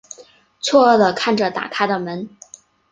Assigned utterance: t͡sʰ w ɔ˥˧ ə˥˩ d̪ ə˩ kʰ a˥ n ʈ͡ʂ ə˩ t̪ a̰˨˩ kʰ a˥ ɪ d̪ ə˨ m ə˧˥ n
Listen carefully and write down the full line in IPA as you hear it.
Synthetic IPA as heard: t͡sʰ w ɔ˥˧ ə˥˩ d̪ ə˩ kʰ a˥˩ n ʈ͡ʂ ə˩ t̪ a̰˨˩ kʰ a˥ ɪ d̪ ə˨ m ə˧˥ n